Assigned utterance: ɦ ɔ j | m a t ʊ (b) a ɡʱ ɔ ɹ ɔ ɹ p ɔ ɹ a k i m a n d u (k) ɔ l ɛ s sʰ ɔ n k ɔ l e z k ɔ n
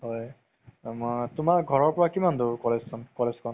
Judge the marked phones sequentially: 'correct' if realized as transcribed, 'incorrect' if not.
incorrect, correct

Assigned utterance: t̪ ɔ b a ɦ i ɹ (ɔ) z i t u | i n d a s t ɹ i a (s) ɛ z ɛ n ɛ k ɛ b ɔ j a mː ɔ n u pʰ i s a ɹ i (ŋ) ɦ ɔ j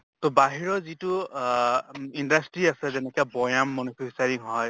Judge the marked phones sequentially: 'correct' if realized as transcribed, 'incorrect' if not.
correct, correct, correct

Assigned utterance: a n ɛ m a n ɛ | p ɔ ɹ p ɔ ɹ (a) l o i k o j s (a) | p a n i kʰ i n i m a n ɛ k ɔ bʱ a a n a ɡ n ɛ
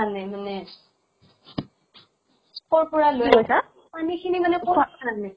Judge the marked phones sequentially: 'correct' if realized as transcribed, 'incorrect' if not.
correct, correct

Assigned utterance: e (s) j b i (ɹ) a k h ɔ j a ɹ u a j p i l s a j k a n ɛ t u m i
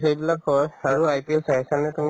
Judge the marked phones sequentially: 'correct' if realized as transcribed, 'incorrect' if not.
incorrect, incorrect

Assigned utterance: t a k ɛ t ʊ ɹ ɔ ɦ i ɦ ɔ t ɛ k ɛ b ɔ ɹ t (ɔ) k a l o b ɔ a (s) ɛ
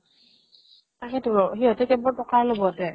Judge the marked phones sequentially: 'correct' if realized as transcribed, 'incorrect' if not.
correct, incorrect

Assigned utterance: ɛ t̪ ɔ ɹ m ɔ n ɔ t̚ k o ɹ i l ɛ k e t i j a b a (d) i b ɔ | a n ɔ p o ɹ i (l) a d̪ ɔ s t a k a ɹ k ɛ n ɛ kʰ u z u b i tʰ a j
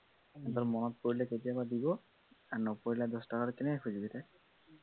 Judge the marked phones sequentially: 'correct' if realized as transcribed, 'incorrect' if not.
correct, correct

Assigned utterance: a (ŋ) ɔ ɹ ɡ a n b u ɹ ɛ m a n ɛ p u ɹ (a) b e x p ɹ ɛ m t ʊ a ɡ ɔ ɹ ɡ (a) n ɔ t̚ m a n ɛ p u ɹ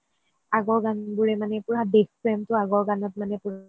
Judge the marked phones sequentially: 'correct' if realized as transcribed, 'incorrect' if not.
incorrect, correct, correct

